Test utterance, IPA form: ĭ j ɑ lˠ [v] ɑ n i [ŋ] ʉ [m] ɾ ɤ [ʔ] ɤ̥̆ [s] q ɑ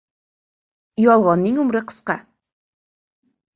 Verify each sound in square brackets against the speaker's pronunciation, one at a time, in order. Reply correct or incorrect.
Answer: incorrect: ʁ, correct, correct, incorrect: q, correct

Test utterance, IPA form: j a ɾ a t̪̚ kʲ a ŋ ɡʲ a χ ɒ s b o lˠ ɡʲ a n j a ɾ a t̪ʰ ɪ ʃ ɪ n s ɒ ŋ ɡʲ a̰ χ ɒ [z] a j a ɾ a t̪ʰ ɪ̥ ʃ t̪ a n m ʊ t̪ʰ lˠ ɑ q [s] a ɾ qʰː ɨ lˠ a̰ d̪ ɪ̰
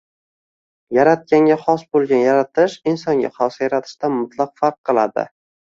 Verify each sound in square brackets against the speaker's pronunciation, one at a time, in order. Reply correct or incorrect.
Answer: incorrect: s, incorrect: f

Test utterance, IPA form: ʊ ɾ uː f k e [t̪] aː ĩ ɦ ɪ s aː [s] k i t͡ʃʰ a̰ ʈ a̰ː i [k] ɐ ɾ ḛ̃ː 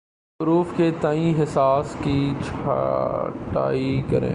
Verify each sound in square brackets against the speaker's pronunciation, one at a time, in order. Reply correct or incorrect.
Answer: correct, correct, correct

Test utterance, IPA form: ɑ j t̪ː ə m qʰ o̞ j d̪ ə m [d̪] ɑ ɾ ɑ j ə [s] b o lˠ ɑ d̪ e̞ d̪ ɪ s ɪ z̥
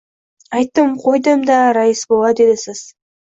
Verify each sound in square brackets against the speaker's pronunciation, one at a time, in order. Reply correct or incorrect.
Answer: correct, correct

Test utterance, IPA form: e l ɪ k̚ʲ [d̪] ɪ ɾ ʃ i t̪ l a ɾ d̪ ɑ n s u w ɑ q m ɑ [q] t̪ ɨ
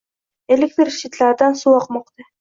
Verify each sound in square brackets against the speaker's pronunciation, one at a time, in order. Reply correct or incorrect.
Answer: incorrect: t̪, correct

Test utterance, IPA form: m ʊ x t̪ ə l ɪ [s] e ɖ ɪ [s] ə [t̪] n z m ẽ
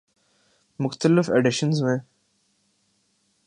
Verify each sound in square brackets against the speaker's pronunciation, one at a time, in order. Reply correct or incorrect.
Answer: incorrect: f, incorrect: ʃ, incorrect: none

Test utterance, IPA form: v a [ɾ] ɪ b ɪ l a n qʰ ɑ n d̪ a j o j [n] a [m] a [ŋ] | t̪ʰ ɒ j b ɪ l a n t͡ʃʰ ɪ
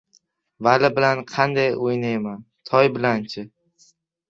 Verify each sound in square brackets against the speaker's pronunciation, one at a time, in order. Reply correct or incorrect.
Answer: incorrect: l, correct, correct, incorrect: n

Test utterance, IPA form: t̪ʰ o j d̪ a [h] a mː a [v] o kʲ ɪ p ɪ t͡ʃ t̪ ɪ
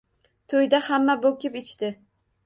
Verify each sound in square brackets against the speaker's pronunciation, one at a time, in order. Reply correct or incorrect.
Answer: correct, incorrect: b

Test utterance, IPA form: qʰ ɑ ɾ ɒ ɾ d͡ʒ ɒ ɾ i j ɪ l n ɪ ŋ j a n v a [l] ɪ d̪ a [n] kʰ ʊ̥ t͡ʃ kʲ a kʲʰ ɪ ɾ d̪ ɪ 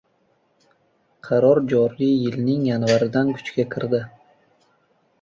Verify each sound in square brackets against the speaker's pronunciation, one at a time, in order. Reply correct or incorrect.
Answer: incorrect: ɾ, correct

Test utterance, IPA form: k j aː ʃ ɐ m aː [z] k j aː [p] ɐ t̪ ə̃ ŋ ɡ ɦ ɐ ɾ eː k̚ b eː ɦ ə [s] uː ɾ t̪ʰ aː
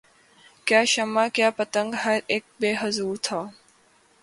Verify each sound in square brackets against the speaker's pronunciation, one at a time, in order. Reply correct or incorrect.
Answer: incorrect: none, correct, incorrect: z

